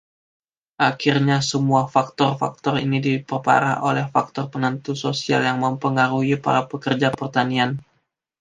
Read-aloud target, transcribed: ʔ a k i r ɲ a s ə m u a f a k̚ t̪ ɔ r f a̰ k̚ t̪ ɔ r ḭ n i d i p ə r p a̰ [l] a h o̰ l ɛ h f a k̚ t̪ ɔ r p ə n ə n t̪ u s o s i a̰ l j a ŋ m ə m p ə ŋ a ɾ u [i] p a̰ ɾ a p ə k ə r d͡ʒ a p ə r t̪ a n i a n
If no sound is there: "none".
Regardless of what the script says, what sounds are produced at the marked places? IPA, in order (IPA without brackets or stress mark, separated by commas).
ɾ, i